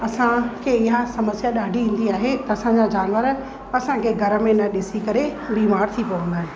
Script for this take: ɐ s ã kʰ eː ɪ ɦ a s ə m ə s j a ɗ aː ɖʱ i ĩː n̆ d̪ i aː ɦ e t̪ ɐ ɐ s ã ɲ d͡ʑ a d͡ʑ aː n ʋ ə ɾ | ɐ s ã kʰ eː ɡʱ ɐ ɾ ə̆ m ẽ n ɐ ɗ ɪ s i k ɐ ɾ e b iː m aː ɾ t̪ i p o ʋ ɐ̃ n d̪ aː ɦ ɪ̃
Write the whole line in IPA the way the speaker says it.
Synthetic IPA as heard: ɐ s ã kʰ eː ɪ ɦ a s ɐ m ə s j a ɗ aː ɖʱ i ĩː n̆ d̪ i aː ɦ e t̪ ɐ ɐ s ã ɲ d͡ʑ a d͡ʑ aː n ʋ ə ɾ | ɐ s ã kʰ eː ɡʱ ɐ ɾ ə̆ m ẽ n ɐ ɗ ɪ s i k ɐ ɾ e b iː m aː ɾ t̪ʰ i p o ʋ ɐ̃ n d̪ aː ɦ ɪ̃